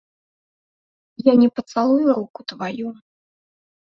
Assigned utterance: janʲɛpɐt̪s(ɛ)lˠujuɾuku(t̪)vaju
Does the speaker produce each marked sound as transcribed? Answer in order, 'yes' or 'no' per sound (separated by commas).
no, yes